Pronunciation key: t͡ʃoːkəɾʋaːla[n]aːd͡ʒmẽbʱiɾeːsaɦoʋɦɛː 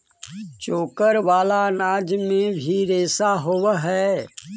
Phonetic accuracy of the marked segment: correct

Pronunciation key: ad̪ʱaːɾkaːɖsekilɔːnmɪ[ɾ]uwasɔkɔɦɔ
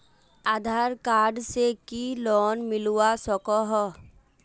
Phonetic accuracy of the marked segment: incorrect: l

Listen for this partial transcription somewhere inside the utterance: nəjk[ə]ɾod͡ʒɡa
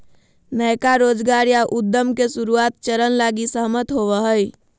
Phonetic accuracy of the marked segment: incorrect: a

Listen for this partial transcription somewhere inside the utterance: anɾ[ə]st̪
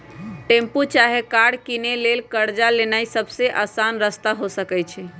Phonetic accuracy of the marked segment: correct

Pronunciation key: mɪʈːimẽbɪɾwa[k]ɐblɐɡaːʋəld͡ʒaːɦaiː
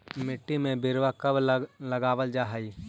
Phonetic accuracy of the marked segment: correct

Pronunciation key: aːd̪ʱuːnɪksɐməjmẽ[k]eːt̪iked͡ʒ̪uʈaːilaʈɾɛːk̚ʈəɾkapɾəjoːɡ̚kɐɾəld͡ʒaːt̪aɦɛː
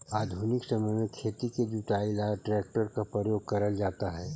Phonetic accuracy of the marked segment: incorrect: kʰ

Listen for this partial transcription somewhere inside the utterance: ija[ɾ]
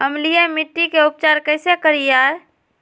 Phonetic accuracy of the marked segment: correct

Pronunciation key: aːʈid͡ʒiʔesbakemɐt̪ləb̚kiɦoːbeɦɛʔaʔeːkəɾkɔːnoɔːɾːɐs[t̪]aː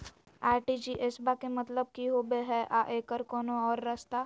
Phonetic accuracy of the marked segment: correct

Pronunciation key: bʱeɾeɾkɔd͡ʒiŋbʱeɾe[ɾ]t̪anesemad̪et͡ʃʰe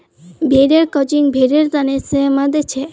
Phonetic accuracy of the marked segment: correct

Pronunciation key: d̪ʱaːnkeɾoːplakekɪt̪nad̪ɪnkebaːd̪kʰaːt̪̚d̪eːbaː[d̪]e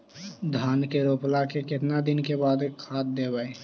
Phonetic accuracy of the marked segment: incorrect: none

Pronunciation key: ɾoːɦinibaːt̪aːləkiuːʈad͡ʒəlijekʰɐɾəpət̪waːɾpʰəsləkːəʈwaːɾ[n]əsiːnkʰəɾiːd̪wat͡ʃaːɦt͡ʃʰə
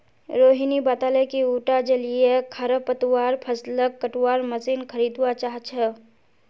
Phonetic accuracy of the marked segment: incorrect: m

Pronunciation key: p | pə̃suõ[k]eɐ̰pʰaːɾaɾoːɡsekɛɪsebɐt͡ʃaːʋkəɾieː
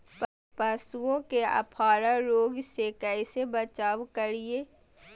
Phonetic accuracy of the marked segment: correct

